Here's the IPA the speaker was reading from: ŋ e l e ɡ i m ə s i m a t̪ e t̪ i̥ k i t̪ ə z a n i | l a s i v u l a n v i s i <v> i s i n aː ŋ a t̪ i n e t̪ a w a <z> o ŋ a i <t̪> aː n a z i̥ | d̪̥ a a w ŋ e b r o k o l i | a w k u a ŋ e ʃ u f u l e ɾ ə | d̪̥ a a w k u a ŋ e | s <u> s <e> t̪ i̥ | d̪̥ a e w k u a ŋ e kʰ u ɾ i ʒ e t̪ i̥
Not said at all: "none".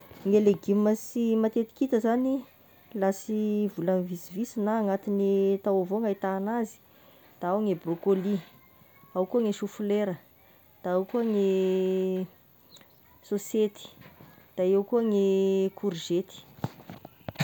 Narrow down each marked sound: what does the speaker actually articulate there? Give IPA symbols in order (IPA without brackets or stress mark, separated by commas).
v, v, t̪, o, e